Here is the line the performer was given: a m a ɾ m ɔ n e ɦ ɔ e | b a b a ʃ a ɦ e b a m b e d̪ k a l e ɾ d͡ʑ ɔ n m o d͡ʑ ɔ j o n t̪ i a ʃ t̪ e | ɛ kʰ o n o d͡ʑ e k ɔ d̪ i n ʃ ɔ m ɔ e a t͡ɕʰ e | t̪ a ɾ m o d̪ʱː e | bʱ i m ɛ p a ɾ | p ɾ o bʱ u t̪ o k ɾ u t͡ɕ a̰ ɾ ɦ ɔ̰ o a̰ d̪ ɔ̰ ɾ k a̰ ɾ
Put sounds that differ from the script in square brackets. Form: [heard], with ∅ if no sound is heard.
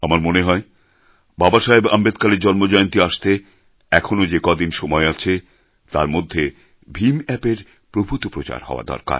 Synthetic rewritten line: a m a ɾ m [o] n e ɦ ɔ e | b a b a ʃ a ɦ e b a m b e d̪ k a l e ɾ d͡ʑ ɔ n m o d͡ʑ ɔ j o n t̪ i a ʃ t̪ e | ɛ kʰ o n o d͡ʑ e k ɔ d̪ i n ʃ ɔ m ɔ e a t͡ɕʰ e | t̪ a ɾ m o d̪ʱː e | bʱ i m ɛ p [e] ɾ | p ɾ o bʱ u t̪ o [p] ɾ [o] t͡ɕ a̰ ɾ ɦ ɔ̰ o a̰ d̪ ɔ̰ ɾ k a̰ ɾ